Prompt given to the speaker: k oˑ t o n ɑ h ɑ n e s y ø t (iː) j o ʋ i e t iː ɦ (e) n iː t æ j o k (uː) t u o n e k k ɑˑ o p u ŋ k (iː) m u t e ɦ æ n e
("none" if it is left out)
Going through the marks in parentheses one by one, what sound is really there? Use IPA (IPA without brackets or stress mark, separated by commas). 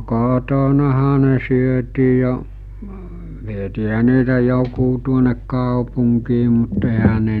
iː, æ, uː, iː